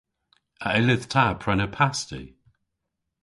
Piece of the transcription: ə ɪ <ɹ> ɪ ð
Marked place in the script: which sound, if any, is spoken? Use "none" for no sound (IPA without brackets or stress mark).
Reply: l